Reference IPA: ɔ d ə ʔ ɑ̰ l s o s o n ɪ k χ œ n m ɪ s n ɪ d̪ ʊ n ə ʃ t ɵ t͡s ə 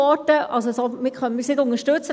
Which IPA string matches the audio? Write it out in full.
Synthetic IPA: ɔ t ə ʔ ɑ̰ l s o s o m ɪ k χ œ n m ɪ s n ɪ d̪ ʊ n ə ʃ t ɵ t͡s ə